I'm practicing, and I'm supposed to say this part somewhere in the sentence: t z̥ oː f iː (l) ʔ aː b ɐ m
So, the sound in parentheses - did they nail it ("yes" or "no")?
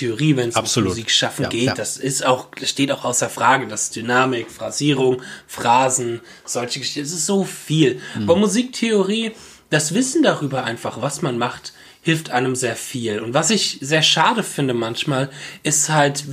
yes